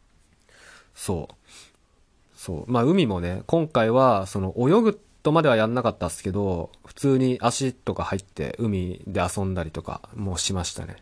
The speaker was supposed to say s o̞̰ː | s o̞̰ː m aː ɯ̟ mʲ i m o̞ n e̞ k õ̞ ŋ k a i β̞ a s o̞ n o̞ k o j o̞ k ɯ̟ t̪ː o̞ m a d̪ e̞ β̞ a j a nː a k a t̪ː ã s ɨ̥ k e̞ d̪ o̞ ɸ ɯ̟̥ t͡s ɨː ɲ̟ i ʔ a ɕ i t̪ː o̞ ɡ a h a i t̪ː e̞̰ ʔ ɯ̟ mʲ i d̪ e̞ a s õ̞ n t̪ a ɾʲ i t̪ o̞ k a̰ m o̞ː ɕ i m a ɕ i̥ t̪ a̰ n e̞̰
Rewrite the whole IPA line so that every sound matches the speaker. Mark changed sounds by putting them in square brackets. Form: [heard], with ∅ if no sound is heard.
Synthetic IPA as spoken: s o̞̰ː | s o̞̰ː m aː ɯ̟ mʲ i m o̞ n e̞ k õ̞ ŋ k a i β̞ a s o̞ n o̞ [ʔ] o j o̞ [ɡ] ɯ̟ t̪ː o̞ m a d̪ e̞ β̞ a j a nː a k a t̪ː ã s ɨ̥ k e̞ d̪ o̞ ɸ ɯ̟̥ t͡s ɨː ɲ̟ i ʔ a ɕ i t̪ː o̞ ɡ a h a i t̪ː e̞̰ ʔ ɯ̟ mʲ i d̪ e̞ a s õ̞ n [d̪] a ɾʲ i t̪ o̞ k a̰ m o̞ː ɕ i m a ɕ i̥ t̪ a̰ n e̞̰